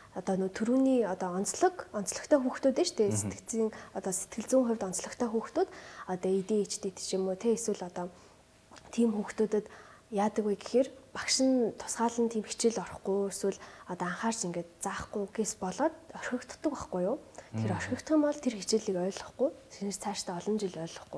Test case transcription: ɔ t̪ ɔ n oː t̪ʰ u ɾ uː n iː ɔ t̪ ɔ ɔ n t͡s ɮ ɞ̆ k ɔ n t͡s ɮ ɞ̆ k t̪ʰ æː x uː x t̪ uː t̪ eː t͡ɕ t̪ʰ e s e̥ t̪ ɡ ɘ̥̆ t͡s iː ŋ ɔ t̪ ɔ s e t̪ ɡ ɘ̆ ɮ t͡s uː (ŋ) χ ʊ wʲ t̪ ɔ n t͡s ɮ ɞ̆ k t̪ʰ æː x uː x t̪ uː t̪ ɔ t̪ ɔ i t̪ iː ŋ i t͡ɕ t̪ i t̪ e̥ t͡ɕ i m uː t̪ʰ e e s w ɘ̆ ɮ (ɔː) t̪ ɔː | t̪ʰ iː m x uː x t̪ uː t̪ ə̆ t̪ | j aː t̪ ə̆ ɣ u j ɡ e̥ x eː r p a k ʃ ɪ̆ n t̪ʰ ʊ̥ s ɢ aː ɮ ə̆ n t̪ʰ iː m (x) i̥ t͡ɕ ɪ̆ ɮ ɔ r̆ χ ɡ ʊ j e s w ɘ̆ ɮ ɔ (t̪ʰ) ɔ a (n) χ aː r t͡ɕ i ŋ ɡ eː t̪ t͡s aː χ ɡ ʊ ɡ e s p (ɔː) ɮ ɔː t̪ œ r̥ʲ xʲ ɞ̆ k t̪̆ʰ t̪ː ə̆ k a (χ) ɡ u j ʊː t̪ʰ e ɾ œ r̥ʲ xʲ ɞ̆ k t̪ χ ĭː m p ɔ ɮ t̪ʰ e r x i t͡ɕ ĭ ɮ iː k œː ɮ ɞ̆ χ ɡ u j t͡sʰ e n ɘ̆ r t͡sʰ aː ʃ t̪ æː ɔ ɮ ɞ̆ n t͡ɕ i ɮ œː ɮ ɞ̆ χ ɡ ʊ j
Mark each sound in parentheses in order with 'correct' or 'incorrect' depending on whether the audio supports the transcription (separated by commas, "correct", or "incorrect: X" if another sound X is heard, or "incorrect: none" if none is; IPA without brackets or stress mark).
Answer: correct, incorrect: ɔ, correct, incorrect: t̪, incorrect: ɴ, incorrect: ɔ, correct